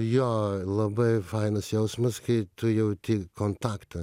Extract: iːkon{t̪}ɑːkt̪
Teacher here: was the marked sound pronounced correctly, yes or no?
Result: yes